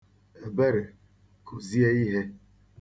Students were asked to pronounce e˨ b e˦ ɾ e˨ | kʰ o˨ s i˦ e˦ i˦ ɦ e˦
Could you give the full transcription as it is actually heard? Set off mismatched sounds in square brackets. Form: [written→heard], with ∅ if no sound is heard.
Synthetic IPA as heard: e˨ b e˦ ɾ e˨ | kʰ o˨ [s→z] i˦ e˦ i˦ ɦ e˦